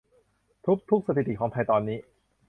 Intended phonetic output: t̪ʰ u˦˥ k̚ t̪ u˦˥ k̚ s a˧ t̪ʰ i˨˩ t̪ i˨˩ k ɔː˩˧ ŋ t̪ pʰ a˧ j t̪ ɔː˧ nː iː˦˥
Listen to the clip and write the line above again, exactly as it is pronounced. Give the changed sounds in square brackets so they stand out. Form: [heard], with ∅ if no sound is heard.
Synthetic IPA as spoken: t̪ʰ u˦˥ k̚ [t̪ʰ] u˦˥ k̚ s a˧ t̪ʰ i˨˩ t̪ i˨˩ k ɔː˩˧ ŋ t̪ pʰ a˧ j t̪ ɔː˧ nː iː˦˥